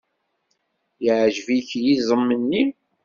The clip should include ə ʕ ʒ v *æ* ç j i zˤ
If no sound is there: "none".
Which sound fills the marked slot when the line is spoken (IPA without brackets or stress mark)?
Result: i